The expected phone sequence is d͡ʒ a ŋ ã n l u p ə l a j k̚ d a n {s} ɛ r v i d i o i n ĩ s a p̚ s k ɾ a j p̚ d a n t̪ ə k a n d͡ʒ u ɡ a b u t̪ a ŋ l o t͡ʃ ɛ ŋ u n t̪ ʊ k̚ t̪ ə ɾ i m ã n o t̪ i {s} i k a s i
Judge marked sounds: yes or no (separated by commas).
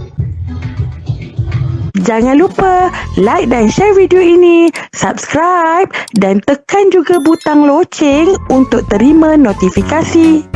no, no